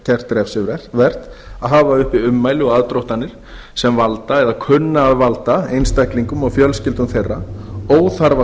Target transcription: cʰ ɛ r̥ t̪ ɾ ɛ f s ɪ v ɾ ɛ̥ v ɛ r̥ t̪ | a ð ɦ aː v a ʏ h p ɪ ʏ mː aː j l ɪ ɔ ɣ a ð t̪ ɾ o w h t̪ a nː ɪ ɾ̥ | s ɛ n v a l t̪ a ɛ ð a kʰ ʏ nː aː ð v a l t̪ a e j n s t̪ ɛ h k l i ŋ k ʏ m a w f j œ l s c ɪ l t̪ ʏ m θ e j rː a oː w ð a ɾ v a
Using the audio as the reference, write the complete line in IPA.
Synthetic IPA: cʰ ɛ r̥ t̪ ɾ ɛ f s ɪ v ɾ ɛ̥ v ɛ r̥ t̪ | a ð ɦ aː v a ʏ h p ɪ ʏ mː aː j l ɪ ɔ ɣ a ð t̪ ɾ o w h t̪ a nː ɪ ɾ̥ | s ɛ m v a l t̪ a ɛ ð a kʰ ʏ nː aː ð v a l t̪ a e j n s t̪ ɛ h k l i ŋ k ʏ m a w f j œ l s c ɪ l t̪ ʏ m θ e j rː a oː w θ a ɾ v a